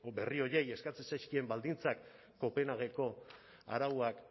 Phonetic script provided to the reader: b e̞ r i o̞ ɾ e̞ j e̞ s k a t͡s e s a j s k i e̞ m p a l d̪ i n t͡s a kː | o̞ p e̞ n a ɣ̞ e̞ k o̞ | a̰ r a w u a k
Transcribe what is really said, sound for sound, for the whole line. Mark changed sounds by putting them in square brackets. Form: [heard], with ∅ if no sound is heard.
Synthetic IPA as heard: b e̞ r i o̞ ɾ e̞ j e̞ s k a t͡s e s a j s k i e̞ m [b] a l d̪ i n t͡s a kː | o̞ p e̞ n a ɣ̞ e̞ k o̞ | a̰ [ɾ] a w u a k

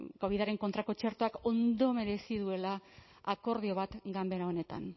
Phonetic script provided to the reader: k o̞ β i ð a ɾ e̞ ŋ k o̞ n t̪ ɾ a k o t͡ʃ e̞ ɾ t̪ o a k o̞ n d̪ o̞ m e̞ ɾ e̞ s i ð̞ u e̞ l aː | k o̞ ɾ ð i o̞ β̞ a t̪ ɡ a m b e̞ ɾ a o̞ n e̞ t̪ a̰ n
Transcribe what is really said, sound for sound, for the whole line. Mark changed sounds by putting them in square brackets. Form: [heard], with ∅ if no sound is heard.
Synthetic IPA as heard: k o̞ β i ð a ɾ e̞ ŋ k o̞ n t̪ ɾ a k o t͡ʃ e̞ ɾ t̪ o a k o̞ n d̪ o̞ m e̞ ɾ e̞ s i ð̞ u e̞ l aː | k o̞ ɾ ð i o̞ β̞ a t̪ ɡ a m b e̞ ɾ a o̞ n e̞ t̪ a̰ n

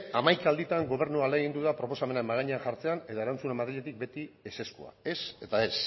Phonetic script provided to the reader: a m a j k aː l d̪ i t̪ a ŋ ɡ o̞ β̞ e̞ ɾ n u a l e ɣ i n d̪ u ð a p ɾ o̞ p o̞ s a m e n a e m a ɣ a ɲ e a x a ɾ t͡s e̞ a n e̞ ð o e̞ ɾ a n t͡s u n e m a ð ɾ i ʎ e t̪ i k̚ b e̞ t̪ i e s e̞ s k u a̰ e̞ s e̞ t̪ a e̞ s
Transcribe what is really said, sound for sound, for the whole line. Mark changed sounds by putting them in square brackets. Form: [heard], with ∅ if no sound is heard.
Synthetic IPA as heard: a m a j k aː l d̪ i t̪ a ŋ ɡ o̞ β̞ e̞ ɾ n u a l e ɣ i n d̪ u ð a p ɾ o̞ p o̞ s a m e n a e m a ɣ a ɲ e a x a ɾ t͡s e̞ a n e̞ ð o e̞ ɾ a n t͡s u n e m a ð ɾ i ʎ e t̪ i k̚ b e̞ t̪ i e s e̞ s k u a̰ e̞ s e̞ t̪ a e̞ s

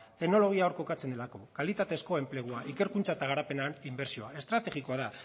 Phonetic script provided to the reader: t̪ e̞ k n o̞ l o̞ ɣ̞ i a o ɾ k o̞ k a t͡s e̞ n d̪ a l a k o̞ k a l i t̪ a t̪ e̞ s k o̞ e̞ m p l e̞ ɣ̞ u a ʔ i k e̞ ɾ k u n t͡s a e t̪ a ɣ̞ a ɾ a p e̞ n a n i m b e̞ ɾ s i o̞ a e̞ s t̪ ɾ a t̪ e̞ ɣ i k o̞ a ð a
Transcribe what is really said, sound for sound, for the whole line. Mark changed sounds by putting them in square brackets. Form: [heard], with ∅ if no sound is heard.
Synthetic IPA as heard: t̪ e̞ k n o̞ l o̞ ɣ̞ i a o ɾ k o̞ k a t͡s e̞ n d̪ [e] l a k o̞ k a l i t̪ a t̪ e̞ s k o̞ e̞ m p l e̞ ɣ̞ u a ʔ i k e̞ ɾ k u n t͡s a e t̪ a ɣ̞ a ɾ a p e̞ n a n i m b e̞ ɾ s i o̞ a e̞ s t̪ ɾ a t̪ e̞ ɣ i k o̞ a ð a

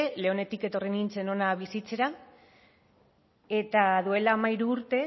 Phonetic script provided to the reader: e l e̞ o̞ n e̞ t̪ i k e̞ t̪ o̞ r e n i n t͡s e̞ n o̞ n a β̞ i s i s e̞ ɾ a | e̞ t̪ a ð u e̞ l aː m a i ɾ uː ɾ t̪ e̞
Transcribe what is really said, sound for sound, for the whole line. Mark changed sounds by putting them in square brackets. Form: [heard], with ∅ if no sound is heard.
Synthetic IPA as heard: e l e̞ o̞ n e̞ t̪ i k e̞ t̪ o̞ r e n i n t͡s e̞ n o̞ n a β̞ i s i [t͡s] e̞ ɾ a | e̞ t̪ a ð u e̞ l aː m a i ɾ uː ɾ t̪ e̞

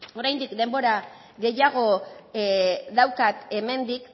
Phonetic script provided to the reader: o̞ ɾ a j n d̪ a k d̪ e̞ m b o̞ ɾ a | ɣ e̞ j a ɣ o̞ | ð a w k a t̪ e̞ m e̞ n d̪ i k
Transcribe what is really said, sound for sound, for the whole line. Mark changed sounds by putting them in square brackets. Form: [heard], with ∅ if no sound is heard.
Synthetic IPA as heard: o̞ ɾ a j n d̪ [i] k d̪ e̞ m b o̞ ɾ a | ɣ e̞ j a ɣ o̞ | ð a w k a t̪ e̞ m e̞ n d̪ i k

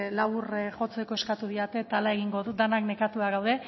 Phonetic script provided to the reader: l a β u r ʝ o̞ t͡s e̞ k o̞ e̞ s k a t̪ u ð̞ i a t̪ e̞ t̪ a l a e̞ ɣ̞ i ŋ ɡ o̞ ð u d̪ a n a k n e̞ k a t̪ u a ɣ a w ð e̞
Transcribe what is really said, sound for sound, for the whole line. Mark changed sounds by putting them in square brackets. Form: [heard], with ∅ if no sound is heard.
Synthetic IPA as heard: l a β u r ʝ o̞ t͡s e̞ k o̞ e̞ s k a t̪ u ð̞ i a t̪ e̞ t̪ a l a e̞ ɣ̞ i ŋ ɡ o̞ ð u d̪ a n a k n e̞ k a t̪ u a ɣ a w ð e̞

